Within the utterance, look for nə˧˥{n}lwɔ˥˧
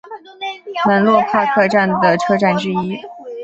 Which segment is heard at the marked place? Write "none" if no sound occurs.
n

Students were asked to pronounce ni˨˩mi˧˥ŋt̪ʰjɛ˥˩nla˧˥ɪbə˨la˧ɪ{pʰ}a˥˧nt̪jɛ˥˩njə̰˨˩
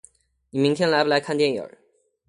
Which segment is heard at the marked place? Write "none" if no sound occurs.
kʰ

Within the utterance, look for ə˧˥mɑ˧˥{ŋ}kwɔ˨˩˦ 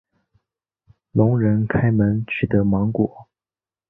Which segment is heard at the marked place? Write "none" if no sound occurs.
ŋ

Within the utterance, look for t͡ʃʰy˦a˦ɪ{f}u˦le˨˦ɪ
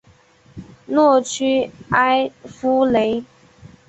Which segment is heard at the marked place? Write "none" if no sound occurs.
f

